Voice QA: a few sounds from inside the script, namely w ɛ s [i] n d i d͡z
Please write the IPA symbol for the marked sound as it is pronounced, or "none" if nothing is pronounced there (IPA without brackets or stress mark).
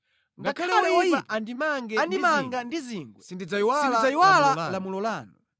i